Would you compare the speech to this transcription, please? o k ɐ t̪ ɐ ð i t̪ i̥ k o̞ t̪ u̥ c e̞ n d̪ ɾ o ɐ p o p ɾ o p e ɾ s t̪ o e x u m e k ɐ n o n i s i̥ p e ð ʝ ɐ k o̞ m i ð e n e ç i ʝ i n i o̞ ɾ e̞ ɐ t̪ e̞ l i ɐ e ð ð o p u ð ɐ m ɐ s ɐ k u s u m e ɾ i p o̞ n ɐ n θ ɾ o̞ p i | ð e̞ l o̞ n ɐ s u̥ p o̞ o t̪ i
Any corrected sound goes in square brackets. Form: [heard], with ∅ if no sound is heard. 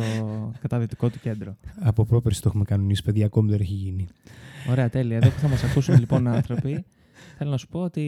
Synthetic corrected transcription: o k ɐ t̪ ɐ ð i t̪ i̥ k o̞ t̪ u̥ c e̞ n d̪ ɾ o ɐ p o p ɾ o p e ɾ s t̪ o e x u m e k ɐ n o n i s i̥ p e ð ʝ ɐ k o̞ m i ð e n e ç i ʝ i n i o̞ ɾ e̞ ɐ t̪ e̞ l i ɐ e ð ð o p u [θ] ɐ m ɐ s ɐ k u s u m e [l] i p o̞ n ɐ n θ ɾ o̞ p i | [θ] e̞ l o̞ n ɐ s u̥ p o̞ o t̪ i